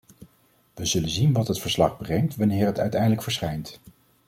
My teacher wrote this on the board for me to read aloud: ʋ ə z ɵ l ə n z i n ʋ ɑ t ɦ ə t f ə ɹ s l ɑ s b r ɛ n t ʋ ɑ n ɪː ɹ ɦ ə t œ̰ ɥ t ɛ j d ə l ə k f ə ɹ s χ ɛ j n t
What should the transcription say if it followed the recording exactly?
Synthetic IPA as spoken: ʋ ə z ɵ l ə n z i n ʋ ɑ t ɦ ə t f ə ɹ s l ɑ χ b r ɛ ŋ t ʋ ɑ n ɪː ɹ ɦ ə t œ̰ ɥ t ɛ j d ə l ə k f ə ɹ s χ ɛ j n t